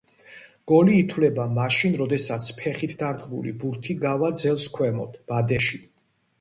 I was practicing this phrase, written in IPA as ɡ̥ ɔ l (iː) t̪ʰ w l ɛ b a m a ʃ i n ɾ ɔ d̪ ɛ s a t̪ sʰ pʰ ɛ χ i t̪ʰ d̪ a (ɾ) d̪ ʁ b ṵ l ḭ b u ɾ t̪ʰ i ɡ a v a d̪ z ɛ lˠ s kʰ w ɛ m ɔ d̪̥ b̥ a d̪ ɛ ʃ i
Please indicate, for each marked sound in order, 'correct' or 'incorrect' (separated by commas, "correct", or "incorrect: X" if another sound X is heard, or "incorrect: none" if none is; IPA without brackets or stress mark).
correct, correct